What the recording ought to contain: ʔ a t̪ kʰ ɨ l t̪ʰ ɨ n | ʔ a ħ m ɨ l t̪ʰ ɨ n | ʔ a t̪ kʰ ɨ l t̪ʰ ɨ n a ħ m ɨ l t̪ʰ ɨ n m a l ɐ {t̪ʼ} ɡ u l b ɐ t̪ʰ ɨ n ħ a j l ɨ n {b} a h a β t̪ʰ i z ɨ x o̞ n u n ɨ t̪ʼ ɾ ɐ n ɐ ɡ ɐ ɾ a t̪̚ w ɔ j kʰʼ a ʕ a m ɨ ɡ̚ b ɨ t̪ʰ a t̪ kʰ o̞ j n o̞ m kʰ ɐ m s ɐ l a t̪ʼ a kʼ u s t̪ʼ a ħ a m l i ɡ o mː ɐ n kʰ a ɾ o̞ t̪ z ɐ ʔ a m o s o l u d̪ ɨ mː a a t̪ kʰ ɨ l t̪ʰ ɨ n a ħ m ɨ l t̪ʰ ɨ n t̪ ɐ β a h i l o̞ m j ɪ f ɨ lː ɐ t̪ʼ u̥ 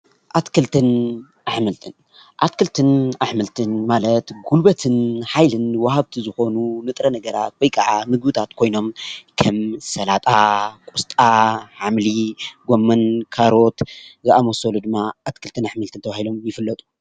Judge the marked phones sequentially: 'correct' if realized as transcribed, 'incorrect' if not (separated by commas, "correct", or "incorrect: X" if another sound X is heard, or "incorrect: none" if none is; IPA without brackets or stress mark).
incorrect: t̪, incorrect: w